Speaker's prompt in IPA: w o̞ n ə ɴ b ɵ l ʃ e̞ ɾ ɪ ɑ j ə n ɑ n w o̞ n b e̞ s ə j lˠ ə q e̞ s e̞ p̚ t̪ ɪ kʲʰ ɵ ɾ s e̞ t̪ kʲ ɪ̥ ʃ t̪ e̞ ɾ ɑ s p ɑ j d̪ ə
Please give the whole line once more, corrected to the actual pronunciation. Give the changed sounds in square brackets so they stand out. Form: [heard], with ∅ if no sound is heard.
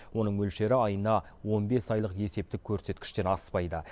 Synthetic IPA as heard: w o̞ n ə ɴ [m] ɵ l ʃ e̞ ɾ ɪ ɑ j ə n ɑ [∅] w o̞ n b e̞ s [ɑ] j lˠ ə q e̞ s e̞ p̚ t̪ ɪ kʲʰ ɵ ɾ s e̞ t̪ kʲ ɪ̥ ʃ t̪ e̞ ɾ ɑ s p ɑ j d̪ ə